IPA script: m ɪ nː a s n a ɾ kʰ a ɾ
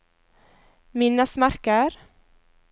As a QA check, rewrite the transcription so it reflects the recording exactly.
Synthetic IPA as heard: m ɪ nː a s m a ɾ k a ɾ